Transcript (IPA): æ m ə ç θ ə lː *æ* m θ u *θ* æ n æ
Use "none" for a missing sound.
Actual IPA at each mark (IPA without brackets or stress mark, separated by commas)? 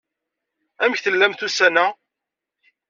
æ, s